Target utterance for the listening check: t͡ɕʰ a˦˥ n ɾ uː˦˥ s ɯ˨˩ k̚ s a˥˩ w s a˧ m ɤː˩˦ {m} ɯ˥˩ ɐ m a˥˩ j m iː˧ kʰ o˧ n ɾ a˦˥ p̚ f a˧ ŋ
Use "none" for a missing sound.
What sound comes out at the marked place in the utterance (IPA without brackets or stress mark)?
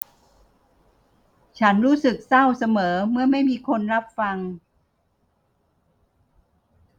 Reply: m